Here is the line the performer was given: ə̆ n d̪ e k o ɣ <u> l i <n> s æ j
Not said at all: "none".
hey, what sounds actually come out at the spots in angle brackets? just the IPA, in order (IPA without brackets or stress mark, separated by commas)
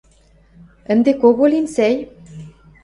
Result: o, n